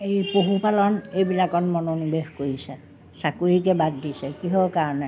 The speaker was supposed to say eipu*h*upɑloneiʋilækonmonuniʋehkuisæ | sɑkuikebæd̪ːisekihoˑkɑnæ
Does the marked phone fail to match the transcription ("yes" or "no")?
no